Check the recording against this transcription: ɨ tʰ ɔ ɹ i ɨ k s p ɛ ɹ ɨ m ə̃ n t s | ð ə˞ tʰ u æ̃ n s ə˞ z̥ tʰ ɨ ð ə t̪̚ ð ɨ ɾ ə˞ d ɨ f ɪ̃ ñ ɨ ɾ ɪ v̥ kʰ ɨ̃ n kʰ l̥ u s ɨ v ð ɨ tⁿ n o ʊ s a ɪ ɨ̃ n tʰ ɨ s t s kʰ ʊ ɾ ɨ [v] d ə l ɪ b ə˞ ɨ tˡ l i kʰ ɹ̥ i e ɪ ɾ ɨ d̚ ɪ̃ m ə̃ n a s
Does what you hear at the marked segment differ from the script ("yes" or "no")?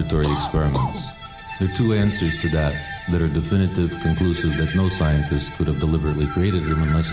no